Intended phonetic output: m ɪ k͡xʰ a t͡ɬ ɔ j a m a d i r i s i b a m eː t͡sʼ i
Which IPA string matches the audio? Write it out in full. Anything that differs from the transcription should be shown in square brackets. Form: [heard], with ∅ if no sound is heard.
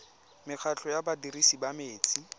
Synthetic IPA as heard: m ɪ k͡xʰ a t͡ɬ ɔ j a [b] a d i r i s i b a m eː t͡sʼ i